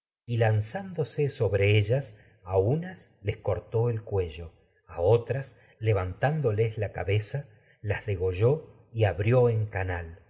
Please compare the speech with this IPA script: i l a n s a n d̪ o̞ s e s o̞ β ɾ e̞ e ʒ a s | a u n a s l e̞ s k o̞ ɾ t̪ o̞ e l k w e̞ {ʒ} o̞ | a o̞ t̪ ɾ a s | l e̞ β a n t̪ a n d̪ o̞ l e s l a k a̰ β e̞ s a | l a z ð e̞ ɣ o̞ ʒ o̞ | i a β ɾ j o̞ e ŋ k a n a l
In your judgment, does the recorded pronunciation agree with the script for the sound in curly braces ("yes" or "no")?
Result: yes